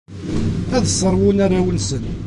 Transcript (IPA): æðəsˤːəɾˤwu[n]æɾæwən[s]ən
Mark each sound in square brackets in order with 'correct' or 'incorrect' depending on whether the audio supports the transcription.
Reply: correct, correct

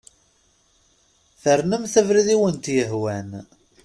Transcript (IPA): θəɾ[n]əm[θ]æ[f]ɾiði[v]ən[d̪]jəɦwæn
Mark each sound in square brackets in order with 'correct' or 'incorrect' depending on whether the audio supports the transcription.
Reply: correct, correct, incorrect: v, incorrect: w, incorrect: t̪

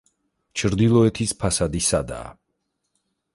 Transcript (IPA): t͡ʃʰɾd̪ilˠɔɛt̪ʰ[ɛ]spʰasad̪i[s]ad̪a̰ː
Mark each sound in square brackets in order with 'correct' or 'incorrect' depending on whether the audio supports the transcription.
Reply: incorrect: i, correct

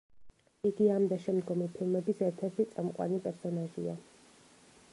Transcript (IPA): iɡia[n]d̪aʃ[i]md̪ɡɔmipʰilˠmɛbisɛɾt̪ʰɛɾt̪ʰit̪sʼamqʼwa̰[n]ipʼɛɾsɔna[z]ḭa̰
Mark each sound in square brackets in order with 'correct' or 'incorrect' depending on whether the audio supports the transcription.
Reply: incorrect: m, incorrect: ɛ, correct, incorrect: ʒ

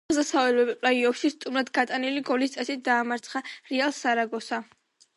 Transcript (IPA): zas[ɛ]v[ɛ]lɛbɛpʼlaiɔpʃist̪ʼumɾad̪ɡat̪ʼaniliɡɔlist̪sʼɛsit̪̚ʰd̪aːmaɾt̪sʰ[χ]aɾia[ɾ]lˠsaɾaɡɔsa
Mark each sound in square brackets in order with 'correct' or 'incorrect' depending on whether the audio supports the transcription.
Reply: incorrect: a, correct, correct, incorrect: none

